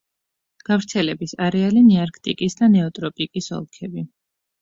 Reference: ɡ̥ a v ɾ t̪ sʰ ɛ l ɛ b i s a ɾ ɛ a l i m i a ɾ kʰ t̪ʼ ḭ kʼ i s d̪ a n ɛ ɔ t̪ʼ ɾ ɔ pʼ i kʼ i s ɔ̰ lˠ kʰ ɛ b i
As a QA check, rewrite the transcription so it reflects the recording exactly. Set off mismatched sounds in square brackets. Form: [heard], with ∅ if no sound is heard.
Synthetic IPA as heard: ɡ̥ a v ɾ t̪ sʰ ɛ l ɛ b i s a ɾ ɛ a l i [n] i a ɾ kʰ t̪ʼ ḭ kʼ i s d̪ a n ɛ ɔ t̪ʼ ɾ ɔ pʼ i kʼ i s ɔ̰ lˠ kʰ ɛ b i